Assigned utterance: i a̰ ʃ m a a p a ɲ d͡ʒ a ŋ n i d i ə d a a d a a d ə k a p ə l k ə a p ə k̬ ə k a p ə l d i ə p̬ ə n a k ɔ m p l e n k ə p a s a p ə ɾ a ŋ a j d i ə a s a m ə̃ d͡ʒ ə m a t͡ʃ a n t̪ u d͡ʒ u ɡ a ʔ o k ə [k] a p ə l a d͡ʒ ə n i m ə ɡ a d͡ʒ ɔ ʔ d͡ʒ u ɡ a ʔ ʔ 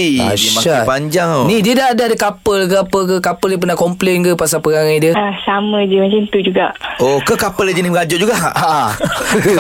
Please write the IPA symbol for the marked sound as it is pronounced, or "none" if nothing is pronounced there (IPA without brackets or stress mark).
k